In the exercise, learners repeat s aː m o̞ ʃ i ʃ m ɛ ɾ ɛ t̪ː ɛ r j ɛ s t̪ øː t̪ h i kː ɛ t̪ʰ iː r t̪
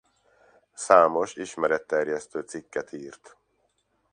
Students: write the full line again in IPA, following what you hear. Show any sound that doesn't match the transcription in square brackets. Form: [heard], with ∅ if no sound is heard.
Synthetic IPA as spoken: s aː m o̞ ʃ i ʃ m ɛ ɾ ɛ t̪ː ɛ r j ɛ s t̪ øː t̪ [s] i kː ɛ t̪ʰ iː r t̪